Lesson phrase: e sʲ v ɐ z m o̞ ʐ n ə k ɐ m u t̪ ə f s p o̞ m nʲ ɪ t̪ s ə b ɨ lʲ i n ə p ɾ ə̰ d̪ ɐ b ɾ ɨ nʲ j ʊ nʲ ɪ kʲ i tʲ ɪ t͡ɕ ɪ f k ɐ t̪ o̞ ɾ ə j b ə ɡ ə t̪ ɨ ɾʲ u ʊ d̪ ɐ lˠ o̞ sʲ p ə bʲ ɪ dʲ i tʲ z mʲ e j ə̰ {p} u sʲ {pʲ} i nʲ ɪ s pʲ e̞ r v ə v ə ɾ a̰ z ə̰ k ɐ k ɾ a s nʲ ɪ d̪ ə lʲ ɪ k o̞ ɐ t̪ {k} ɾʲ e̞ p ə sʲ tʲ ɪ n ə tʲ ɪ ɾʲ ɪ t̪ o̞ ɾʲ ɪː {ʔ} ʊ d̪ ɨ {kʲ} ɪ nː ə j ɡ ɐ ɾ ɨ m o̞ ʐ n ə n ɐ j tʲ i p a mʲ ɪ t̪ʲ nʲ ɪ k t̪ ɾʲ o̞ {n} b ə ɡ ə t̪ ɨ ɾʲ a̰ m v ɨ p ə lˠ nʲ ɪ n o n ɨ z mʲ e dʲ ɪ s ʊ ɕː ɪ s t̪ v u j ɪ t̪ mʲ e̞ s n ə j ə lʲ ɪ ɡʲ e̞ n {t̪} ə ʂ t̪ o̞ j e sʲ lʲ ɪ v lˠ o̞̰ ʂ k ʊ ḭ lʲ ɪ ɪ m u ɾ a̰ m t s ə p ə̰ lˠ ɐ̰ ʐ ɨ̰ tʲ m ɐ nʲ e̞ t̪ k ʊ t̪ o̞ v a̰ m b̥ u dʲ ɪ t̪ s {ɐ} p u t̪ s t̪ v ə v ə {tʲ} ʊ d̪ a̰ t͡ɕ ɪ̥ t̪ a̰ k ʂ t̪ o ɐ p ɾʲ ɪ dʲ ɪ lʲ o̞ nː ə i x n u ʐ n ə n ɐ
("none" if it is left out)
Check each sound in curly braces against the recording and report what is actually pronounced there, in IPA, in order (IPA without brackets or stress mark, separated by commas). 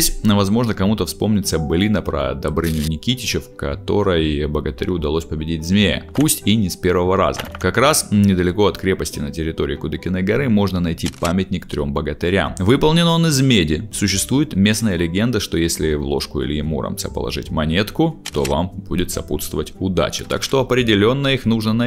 p, tʲ, k, k, kʲ, m, d̪, ɐ, tʲ